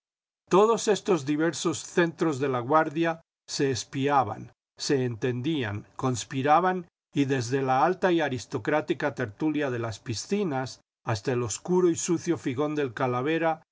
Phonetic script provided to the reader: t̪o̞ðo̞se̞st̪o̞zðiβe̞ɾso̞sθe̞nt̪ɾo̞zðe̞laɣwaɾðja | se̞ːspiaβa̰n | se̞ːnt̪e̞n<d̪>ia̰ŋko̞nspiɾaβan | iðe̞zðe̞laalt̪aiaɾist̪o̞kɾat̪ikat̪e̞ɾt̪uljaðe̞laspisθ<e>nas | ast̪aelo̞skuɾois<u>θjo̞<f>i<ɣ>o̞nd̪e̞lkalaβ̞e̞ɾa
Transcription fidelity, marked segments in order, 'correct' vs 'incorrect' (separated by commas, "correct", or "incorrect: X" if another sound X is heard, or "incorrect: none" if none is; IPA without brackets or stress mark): correct, incorrect: i, correct, correct, correct